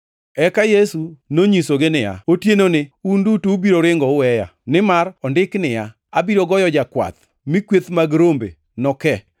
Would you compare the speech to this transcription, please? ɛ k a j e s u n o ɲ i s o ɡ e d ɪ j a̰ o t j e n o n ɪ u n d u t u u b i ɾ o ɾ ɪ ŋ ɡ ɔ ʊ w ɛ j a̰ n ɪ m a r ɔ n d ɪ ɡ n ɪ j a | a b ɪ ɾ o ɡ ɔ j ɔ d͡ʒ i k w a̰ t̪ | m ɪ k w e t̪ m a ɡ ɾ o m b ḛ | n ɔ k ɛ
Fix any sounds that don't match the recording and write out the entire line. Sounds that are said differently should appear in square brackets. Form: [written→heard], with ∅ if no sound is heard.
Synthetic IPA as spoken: ɛ k a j e s u n o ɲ i s o ɡ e [d→n] ɪ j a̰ o t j e n o n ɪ u n d u t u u b i ɾ o ɾ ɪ ŋ ɡ ɔ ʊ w ɛ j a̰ n ɪ m a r ɔ n d ɪ [ɡ→k] n ɪ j a | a b [ɪ→i] ɾ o ɡ ɔ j ɔ d͡ʒ [i→a] k w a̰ t̪ | m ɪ k w e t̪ m a ɡ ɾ o m b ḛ | n ɔ k ɛ